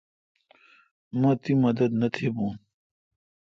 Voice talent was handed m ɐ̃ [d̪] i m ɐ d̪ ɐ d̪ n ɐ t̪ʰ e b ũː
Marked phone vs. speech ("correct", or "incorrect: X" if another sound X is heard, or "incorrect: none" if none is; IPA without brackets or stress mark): incorrect: t̪